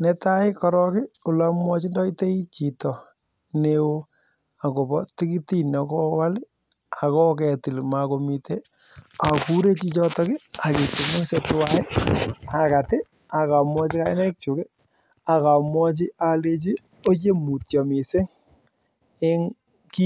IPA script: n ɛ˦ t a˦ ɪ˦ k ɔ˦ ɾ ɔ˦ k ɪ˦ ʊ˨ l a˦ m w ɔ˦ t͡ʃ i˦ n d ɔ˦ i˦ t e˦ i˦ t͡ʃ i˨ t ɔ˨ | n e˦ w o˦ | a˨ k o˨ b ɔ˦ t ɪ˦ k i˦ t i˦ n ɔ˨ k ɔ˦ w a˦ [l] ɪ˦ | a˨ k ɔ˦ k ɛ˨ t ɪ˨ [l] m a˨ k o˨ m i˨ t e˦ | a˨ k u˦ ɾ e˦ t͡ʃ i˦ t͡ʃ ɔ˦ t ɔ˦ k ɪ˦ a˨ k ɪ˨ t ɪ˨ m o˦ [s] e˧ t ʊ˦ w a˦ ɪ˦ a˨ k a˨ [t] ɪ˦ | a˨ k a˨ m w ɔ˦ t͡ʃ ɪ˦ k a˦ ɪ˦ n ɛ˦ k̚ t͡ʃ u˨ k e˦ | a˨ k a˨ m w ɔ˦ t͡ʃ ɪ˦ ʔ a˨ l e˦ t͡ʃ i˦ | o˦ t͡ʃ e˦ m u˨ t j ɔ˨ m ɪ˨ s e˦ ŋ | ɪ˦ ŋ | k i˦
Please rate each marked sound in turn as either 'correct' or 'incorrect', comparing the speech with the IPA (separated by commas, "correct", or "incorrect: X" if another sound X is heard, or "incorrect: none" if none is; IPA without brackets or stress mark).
correct, correct, correct, correct